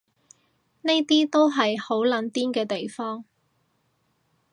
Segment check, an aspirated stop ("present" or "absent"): absent